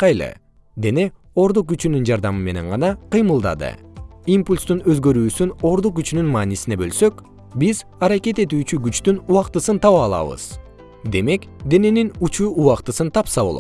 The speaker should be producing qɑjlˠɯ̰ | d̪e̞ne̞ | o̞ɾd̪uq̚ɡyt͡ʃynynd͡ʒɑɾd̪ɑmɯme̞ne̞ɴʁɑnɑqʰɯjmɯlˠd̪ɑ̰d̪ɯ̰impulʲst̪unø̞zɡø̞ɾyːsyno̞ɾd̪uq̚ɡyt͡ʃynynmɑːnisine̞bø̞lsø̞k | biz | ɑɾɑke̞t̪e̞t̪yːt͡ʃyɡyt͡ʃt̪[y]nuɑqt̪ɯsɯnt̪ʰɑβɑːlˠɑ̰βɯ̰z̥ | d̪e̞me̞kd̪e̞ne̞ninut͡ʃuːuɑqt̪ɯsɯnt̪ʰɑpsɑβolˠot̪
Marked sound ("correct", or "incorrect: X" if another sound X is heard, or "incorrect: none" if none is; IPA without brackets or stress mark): correct